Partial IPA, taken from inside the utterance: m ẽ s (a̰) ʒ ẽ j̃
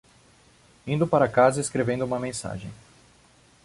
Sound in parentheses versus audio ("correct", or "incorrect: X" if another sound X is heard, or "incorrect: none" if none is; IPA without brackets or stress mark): correct